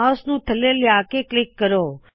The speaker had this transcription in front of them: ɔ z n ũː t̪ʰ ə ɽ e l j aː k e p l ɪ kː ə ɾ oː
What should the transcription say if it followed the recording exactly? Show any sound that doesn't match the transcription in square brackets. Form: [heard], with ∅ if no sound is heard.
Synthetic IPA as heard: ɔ [s] n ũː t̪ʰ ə [l] e l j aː k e [k] l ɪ kː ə ɾ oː